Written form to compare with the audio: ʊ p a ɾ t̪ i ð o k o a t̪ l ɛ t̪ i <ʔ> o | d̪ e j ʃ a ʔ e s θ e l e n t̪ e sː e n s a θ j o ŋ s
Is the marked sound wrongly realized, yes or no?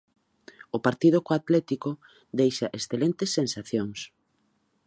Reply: yes